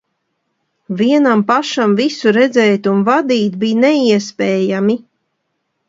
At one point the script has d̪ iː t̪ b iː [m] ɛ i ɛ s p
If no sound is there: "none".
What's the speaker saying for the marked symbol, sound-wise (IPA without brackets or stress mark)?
n